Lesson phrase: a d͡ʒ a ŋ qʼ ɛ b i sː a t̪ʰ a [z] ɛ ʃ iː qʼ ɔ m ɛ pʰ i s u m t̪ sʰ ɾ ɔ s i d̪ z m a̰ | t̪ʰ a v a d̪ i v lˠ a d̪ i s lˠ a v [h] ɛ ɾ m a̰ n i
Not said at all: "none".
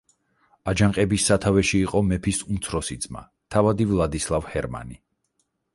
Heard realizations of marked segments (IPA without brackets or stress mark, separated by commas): v, h